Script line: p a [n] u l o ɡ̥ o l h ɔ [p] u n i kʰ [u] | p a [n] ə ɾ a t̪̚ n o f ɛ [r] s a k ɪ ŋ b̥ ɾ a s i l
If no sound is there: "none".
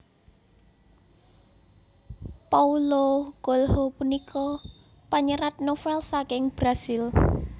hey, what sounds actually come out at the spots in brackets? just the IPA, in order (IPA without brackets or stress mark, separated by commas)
none, p, ɔ, ɲ, l